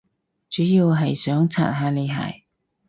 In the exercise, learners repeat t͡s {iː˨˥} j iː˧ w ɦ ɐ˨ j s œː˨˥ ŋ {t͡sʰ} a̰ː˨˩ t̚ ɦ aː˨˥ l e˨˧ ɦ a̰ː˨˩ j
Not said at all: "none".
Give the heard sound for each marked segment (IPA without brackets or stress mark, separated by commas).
yː˨˥, t͡sʰ